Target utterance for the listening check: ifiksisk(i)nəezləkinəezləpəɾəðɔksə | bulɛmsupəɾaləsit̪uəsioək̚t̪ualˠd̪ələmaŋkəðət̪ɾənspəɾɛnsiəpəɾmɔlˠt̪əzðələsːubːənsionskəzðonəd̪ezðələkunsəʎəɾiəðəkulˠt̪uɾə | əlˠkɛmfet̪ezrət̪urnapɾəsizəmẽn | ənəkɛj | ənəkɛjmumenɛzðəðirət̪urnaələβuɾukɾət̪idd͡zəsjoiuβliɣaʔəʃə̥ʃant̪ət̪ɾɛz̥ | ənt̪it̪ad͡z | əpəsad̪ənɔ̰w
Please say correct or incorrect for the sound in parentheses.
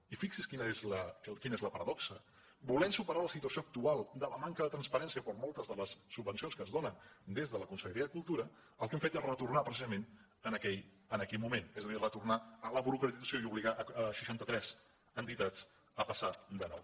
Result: correct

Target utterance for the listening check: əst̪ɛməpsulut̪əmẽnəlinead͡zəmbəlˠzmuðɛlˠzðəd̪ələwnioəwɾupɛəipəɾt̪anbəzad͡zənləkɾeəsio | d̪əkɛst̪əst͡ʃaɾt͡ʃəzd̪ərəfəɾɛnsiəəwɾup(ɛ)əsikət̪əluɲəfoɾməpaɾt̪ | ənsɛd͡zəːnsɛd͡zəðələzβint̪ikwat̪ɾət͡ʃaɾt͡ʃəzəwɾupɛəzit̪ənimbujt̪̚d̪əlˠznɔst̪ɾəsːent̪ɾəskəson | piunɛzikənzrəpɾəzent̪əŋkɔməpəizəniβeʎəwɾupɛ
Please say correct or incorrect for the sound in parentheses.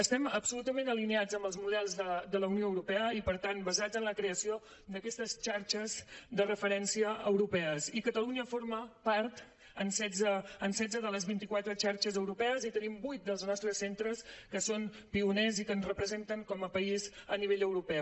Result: correct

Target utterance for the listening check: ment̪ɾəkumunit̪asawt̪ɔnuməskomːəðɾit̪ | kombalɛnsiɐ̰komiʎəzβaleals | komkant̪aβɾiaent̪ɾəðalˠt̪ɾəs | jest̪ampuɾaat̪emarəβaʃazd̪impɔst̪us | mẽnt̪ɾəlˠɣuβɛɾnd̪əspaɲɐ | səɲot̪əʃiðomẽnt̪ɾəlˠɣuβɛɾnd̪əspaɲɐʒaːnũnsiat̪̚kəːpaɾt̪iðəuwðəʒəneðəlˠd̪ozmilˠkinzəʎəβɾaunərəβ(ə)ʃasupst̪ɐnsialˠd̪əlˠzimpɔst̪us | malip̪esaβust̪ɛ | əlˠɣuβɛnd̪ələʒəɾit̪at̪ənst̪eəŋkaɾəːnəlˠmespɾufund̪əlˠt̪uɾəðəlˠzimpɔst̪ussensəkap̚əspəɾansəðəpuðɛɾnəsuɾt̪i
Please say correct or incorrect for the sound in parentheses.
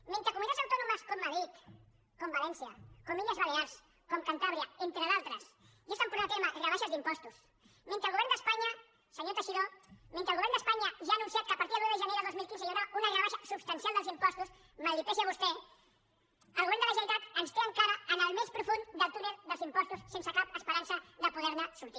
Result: incorrect: a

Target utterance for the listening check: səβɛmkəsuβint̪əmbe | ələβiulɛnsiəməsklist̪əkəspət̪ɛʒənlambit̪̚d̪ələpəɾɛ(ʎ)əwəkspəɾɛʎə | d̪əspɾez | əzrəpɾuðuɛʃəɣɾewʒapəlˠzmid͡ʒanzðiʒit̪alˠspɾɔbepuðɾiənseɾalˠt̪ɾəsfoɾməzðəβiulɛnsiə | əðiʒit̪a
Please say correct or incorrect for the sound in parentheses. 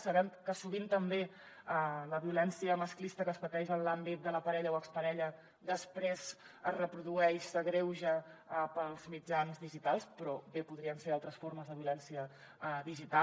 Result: correct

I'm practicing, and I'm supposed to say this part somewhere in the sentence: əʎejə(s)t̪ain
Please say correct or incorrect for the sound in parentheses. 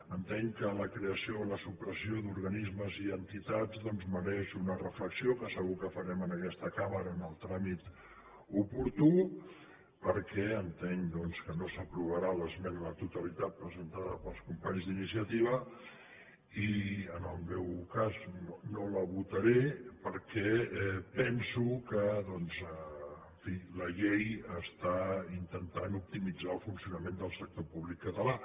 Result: correct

